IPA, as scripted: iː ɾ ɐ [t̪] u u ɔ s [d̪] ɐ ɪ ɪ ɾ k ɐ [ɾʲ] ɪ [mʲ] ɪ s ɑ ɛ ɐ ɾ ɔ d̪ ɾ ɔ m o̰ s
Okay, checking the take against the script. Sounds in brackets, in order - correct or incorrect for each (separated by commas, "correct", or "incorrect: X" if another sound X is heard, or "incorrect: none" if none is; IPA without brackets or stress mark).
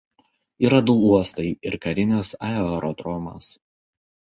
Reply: incorrect: d̪, incorrect: t̪, correct, incorrect: nʲ